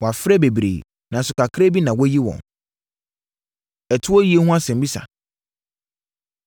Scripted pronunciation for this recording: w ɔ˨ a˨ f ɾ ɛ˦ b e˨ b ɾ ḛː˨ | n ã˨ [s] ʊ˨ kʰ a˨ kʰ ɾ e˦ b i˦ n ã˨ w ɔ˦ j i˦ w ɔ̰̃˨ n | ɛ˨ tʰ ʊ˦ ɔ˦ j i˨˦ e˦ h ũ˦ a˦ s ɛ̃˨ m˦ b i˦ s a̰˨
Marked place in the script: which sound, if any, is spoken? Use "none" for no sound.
s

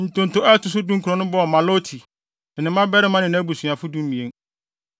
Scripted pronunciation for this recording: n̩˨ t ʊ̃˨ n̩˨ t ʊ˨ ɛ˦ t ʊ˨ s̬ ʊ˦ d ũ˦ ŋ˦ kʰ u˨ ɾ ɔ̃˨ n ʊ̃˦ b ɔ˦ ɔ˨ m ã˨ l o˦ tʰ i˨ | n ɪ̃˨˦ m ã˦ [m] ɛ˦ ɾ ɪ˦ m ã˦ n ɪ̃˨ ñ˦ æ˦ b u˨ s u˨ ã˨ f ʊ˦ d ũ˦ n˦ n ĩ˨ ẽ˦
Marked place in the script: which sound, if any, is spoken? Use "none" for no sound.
b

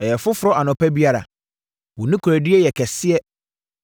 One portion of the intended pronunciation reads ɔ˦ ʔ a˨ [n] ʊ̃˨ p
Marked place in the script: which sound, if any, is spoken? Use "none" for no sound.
n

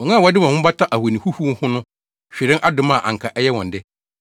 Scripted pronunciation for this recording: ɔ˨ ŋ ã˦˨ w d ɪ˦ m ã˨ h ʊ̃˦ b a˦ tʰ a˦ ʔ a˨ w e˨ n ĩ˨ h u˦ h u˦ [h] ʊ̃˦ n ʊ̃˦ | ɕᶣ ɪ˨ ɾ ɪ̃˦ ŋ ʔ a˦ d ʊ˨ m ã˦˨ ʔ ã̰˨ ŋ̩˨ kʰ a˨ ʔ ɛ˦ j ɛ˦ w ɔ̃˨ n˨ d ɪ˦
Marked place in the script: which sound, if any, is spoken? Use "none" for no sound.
h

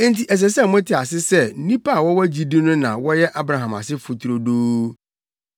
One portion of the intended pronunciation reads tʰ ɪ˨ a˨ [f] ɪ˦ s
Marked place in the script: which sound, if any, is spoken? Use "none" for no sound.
s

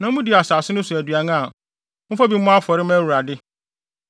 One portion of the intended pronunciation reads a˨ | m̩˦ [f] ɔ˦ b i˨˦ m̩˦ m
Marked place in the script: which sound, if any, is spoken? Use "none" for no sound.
f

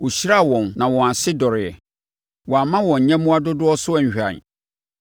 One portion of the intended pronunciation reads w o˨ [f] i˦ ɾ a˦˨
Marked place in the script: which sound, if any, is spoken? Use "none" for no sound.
ɕ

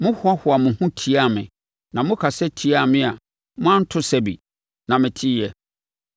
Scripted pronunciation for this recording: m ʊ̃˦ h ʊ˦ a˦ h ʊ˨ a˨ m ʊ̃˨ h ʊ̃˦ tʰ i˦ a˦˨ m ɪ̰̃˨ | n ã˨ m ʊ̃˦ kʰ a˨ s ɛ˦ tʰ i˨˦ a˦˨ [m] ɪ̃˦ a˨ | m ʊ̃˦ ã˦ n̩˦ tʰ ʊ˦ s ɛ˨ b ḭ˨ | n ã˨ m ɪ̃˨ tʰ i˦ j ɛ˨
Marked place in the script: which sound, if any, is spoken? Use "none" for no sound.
m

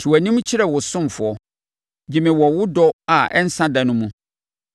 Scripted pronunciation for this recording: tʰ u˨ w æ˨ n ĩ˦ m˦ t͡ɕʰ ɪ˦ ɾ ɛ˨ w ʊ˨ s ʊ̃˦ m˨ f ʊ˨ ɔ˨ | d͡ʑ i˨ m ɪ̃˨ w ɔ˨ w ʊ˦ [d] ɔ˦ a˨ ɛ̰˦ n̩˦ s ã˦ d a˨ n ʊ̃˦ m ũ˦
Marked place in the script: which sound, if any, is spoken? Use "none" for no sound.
d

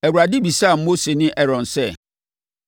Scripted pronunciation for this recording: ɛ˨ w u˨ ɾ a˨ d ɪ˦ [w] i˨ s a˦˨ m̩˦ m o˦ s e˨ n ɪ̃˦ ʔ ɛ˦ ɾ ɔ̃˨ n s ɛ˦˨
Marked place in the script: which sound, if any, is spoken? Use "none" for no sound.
b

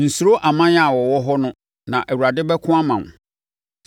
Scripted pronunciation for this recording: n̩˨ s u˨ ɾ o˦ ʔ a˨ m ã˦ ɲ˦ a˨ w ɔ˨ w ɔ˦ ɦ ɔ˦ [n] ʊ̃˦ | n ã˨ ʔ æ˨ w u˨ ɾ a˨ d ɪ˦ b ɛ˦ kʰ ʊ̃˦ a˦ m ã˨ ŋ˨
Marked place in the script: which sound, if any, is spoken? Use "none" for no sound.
n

